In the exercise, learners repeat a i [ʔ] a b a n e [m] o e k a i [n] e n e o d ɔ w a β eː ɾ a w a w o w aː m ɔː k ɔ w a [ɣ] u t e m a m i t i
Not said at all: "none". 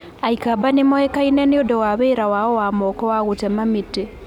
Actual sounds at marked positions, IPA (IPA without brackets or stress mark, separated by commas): k, m, n, ɣ